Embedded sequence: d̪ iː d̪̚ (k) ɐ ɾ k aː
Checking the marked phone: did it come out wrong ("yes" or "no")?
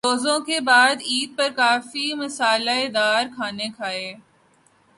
yes